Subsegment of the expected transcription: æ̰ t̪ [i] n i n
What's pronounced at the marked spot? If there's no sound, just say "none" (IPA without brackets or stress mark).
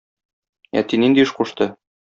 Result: i